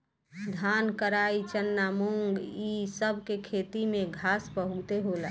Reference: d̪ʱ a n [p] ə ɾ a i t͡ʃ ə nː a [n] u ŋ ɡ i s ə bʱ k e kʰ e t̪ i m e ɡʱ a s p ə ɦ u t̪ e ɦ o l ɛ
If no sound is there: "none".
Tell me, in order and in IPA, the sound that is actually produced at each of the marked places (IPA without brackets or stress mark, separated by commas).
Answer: k, m